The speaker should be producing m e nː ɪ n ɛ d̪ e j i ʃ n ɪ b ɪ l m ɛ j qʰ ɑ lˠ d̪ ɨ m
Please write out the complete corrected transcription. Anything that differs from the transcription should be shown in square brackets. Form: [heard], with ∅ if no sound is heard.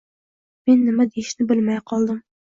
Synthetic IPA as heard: m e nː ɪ [m] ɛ d̪ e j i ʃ n ɪ b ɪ l m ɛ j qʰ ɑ lˠ d̪ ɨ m